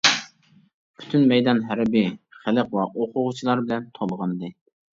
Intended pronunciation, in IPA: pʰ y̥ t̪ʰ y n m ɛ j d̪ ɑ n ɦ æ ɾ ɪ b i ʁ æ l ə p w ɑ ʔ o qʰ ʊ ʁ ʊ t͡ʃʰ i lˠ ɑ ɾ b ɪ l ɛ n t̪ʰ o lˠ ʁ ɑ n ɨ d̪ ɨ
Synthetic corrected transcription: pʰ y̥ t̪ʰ y n m ɛ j d̪ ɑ n ɦ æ ɾ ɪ b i χ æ l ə q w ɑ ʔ o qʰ ʊ ʁ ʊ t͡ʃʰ i lˠ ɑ ɾ b ɪ l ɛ n t̪ʰ o lˠ ʁ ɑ n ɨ d̪ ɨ